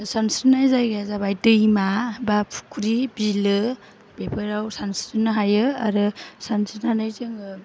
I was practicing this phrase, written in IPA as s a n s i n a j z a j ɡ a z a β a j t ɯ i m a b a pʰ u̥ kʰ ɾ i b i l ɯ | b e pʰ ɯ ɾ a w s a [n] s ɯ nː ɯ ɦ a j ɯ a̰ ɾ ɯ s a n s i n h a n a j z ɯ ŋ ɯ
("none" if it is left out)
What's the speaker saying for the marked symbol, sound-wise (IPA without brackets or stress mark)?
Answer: n